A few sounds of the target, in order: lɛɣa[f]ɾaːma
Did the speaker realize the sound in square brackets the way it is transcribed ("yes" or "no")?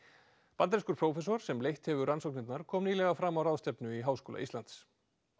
yes